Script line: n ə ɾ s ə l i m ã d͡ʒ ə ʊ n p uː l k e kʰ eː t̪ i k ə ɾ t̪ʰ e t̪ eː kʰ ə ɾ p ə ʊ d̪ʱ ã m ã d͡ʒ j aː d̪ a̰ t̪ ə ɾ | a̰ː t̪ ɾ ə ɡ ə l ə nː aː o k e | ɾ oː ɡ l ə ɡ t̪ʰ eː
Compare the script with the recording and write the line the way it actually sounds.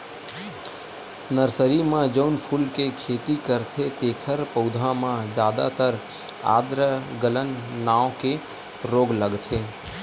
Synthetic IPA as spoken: n ə ɾ s ə ɾ i m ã d͡ʒ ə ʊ n pʰ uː l k e kʰ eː t̪ i k ə ɾ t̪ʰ e t̪ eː kʰ ə ɾ p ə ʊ d̪ʱ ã m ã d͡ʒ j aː d̪ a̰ t̪ ə ɾ | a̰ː d̪ ɾ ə ɡ ə l ə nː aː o k e | ɾ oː ɡ l ə ɡ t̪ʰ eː